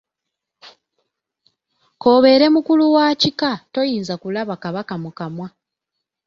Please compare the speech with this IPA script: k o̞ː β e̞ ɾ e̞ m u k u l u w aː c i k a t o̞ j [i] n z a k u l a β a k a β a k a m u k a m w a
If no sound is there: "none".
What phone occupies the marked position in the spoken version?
iː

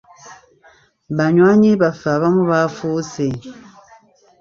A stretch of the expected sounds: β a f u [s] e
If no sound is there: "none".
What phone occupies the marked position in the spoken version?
s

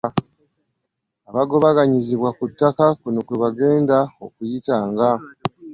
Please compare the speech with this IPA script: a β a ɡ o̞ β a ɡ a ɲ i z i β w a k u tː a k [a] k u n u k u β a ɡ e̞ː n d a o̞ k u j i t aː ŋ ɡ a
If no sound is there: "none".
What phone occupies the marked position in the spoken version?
a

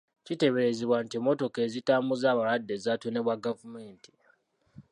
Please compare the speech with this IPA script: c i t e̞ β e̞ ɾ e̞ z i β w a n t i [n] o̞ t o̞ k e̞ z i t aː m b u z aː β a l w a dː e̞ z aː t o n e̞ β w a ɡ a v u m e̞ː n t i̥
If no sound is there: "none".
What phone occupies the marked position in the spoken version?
m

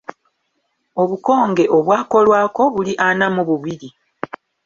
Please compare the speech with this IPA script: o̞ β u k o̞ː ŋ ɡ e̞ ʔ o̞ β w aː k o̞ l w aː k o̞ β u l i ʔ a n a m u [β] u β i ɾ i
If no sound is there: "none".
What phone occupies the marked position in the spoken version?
β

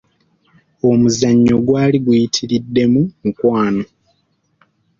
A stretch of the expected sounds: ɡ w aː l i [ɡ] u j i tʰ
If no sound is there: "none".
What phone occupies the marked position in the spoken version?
ɡ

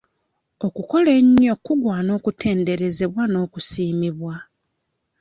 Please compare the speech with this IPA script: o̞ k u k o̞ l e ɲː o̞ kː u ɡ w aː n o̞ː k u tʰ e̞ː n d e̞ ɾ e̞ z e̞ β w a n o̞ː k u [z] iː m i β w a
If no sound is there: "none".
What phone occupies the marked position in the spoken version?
s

